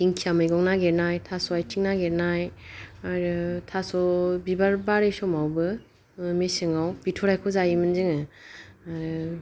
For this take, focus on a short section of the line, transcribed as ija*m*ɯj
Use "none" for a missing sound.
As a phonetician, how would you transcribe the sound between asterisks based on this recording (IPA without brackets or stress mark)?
m